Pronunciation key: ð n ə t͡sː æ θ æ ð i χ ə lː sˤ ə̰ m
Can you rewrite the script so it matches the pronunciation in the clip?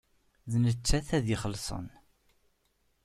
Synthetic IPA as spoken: ð n ə t͡sː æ θ æ ð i χ ə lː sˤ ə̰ n